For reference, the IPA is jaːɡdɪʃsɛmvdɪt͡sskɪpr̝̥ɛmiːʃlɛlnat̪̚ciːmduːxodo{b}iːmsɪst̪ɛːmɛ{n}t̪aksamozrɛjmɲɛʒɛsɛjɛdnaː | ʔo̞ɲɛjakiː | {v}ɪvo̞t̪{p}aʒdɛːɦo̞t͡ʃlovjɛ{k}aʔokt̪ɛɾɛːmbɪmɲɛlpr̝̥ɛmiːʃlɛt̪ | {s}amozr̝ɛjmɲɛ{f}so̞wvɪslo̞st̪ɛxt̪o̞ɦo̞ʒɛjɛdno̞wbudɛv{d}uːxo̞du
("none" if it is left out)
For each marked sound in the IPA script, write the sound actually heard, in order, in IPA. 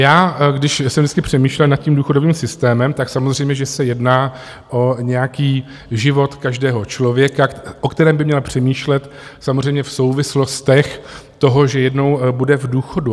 v, m, ʒ, k, k, s, f, d

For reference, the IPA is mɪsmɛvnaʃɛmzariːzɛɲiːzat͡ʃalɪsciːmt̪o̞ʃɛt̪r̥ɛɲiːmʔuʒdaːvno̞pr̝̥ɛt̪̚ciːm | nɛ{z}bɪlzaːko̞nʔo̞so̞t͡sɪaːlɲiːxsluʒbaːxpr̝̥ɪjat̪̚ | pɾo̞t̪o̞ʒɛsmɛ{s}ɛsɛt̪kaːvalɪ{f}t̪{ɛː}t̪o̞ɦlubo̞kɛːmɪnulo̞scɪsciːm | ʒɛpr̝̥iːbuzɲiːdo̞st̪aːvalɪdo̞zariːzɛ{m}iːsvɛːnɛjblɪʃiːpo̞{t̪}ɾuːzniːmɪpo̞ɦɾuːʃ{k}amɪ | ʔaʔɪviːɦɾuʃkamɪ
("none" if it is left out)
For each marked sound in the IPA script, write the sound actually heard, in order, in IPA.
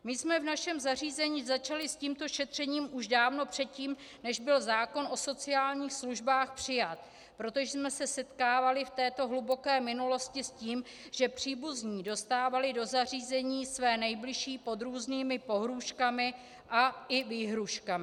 ʒ, s, f, ɛː, ɲ, d̪, k

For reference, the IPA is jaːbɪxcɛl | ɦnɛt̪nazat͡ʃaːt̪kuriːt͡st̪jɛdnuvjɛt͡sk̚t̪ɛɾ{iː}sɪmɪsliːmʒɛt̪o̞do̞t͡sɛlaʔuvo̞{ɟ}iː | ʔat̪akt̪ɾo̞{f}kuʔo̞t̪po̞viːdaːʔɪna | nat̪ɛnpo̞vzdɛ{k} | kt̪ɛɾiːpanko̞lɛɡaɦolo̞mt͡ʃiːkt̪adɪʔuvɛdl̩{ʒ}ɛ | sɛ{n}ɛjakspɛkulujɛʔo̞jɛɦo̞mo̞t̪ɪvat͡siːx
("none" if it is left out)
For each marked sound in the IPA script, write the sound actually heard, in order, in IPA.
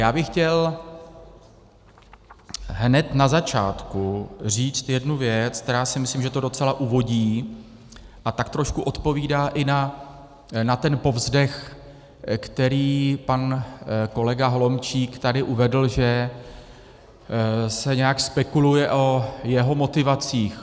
aː, ɟ, ʃ, x, ʒ, ɲ

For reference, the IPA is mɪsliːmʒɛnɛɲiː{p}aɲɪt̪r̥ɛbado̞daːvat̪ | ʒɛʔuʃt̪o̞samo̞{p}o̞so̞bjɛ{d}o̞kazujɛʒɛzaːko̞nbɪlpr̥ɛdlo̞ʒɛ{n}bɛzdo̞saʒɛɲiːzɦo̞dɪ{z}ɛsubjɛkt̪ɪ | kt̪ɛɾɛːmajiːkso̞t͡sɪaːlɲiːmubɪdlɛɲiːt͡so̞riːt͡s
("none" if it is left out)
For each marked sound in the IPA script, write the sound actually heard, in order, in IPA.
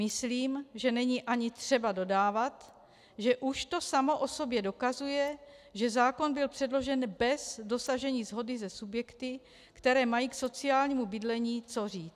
ʔ, ʔ, d, n, z

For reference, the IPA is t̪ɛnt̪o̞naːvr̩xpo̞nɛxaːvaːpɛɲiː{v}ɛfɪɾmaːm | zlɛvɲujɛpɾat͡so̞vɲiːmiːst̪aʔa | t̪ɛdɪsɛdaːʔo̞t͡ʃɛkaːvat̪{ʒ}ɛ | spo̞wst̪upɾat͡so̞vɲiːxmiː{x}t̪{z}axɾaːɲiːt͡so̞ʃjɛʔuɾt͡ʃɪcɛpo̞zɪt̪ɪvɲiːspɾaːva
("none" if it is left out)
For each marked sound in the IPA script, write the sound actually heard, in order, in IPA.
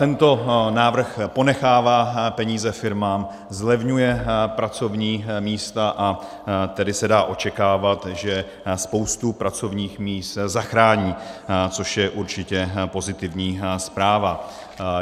z, ʒ, s, z

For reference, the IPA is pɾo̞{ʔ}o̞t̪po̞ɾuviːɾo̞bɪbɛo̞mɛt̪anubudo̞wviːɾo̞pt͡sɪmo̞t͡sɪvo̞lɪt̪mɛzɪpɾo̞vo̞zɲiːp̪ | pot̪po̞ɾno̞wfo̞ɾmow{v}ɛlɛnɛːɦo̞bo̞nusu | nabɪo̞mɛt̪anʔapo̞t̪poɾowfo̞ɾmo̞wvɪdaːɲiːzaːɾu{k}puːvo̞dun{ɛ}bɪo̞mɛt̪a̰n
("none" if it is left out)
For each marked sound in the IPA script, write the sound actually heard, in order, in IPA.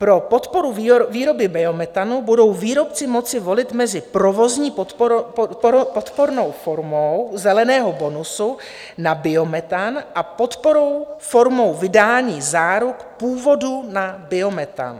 p, z, k, a

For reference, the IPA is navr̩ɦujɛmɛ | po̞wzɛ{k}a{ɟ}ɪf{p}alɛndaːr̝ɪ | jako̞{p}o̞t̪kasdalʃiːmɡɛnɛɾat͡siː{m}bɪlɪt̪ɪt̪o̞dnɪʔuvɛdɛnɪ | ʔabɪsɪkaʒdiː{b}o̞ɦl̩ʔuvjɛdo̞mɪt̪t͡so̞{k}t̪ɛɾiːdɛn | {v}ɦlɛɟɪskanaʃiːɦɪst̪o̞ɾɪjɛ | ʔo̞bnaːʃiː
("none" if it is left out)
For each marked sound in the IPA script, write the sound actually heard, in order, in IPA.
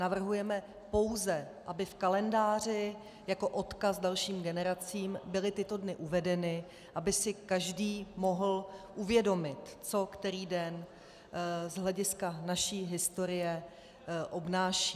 ʔ, b, k, ʔ, m, m, k, z

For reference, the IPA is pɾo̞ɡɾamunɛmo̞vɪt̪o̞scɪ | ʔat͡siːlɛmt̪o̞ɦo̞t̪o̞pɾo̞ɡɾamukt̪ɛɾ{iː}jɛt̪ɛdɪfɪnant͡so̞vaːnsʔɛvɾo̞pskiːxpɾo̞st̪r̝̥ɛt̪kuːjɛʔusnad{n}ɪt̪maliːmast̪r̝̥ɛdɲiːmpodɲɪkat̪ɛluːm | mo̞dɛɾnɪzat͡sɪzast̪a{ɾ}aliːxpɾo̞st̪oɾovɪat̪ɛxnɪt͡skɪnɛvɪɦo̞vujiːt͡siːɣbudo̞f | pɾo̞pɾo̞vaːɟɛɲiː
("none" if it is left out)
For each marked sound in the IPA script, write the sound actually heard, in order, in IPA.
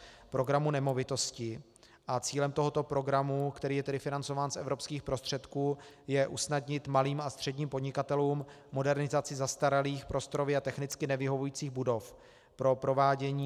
iː, ɲ, ɾ

